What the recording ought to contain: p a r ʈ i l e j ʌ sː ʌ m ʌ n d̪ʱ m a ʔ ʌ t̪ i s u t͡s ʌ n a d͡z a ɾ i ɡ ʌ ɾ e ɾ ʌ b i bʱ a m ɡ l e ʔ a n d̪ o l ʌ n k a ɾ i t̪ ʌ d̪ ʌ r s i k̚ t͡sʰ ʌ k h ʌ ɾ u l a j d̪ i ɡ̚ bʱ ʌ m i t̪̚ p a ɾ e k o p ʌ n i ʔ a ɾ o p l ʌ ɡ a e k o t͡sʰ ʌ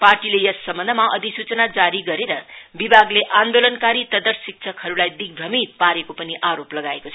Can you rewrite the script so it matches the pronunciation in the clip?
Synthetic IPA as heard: p a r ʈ i l e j ʌ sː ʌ m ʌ n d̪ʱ m a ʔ ʌ d̪ i s u t͡s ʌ n a d͡z a ɾ i ɡ ʌ ɾ e ɾ ʌ b i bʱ a ɡ l e ʔ a n d̪ o l ʌ n k a ɾ i t̪ ʌ d̪ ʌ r s i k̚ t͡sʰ ʌ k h ʌ ɾ u l a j d̪ i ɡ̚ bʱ ʌ m i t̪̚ p a ɾ e k o p ʌ n i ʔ a ɾ o p l ʌ ɡ a e k o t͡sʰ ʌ